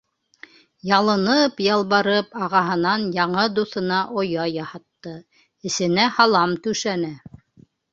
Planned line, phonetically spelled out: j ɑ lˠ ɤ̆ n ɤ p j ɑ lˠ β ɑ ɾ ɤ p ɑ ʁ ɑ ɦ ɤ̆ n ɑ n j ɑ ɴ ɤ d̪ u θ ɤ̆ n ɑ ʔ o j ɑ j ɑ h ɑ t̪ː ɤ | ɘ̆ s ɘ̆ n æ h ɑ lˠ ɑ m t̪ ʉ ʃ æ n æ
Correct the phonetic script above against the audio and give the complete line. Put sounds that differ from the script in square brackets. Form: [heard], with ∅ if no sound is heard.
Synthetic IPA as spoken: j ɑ lˠ ɤ̆ n ɤ p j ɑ lˠ β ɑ ɾ ɤ p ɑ ʁ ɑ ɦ ɤ̆ n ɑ n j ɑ ɴ ɤ d̪ u θ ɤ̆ n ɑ ʔ o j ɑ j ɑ h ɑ t̪ː ɤ | ɘ̆ s ɘ̆ n æ h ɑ lˠ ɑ m t̪ ʉ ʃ æ n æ